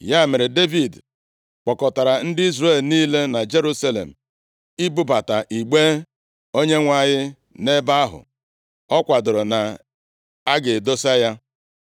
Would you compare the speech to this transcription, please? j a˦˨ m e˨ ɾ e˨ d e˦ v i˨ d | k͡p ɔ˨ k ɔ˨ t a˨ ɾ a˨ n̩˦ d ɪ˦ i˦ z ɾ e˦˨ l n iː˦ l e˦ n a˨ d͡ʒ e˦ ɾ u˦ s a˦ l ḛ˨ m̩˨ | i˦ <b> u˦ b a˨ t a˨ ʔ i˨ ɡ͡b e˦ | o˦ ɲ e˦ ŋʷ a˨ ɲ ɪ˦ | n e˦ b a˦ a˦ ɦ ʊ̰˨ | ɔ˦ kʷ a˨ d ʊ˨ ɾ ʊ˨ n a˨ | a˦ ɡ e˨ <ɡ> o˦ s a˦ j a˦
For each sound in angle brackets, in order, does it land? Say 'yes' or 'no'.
yes, no

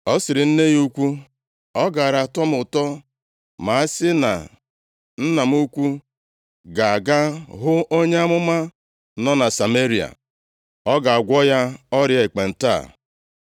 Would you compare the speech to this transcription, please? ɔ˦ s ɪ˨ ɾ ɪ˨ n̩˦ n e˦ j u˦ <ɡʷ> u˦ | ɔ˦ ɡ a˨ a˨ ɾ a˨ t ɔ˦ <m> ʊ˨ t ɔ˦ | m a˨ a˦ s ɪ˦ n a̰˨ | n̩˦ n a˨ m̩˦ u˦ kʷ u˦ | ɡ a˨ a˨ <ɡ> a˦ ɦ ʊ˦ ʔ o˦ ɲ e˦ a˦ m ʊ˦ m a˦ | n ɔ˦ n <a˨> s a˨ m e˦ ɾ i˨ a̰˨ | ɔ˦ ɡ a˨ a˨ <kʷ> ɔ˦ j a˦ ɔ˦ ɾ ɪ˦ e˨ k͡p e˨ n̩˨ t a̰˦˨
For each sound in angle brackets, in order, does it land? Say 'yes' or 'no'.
no, yes, yes, yes, no

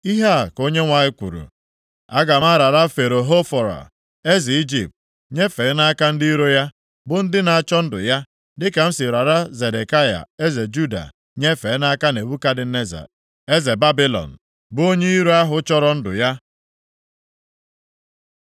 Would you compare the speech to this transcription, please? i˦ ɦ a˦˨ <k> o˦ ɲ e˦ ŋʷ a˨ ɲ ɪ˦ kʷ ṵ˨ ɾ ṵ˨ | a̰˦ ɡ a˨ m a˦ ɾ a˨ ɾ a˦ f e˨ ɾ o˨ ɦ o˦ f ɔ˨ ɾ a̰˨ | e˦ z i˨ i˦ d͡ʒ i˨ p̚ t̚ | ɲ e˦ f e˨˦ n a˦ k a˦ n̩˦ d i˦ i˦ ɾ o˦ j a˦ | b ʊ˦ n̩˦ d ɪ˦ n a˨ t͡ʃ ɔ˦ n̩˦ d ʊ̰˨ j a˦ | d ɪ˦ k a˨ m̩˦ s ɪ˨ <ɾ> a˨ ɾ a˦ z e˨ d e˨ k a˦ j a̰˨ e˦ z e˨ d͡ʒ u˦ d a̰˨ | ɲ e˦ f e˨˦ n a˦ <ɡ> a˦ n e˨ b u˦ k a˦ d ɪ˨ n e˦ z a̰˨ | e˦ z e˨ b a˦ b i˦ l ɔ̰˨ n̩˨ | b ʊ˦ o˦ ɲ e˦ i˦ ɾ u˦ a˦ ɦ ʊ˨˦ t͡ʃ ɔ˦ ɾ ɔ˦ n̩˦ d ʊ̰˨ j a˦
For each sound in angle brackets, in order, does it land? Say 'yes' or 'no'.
yes, yes, no

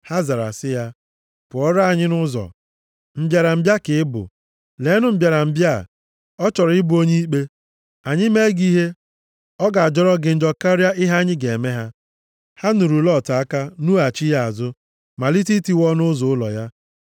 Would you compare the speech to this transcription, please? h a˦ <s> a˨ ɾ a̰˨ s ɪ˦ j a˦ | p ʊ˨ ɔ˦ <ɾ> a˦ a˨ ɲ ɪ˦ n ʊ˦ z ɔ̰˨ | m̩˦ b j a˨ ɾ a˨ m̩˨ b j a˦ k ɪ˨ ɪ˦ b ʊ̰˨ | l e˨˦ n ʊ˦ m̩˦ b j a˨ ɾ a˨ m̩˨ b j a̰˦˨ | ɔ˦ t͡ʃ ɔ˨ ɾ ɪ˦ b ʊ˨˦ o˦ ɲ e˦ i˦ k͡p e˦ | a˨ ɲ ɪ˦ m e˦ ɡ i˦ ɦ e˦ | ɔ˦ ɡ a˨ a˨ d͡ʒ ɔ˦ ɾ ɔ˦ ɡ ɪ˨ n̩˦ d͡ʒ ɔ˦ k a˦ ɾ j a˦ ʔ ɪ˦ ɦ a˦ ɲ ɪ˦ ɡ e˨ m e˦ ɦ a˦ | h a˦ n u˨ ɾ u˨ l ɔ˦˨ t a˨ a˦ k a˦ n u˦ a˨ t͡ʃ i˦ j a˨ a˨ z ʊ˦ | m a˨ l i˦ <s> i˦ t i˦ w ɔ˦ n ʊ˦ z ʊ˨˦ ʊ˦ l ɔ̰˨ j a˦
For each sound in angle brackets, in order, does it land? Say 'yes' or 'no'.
no, yes, no

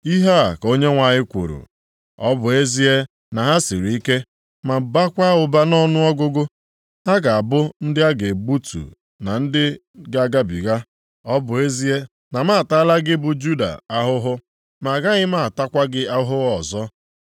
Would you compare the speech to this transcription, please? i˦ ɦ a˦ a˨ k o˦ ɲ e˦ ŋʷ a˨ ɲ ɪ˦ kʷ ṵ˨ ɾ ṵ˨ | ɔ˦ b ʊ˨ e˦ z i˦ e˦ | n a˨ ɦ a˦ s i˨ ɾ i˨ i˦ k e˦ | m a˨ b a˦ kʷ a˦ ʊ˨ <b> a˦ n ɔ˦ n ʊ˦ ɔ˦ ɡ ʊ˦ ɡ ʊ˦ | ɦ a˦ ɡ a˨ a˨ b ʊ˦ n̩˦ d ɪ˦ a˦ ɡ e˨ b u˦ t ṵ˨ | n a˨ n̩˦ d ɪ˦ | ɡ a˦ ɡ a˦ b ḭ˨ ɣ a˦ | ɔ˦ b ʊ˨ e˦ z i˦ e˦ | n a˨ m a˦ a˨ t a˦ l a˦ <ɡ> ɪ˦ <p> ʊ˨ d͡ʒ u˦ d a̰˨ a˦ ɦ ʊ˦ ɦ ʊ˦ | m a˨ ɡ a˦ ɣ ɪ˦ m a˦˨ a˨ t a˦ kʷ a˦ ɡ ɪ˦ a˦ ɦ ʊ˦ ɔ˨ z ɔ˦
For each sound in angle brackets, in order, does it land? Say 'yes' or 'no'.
yes, yes, no

